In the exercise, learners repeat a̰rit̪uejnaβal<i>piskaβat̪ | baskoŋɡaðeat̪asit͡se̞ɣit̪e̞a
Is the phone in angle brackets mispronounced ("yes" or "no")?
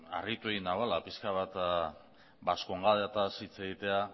yes